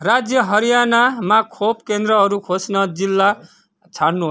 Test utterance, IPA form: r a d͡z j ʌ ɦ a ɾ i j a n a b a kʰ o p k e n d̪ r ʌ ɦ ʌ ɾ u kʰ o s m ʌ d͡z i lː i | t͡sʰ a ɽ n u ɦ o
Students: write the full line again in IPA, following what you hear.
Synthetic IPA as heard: r a d͡z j ʌ ɦ ʌ ɾ i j a n a m a kʰ o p k e n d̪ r ʌ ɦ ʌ ɾ u kʰ o s n ʌ d͡z i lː a | t͡sʰ a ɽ n u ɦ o